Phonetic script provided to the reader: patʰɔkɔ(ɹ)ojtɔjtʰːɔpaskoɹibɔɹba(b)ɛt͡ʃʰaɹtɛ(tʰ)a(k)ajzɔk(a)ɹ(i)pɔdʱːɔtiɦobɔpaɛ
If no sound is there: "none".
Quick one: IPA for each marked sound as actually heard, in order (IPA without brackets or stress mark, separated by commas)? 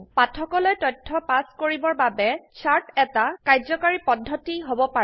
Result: l, b, t, k, a, i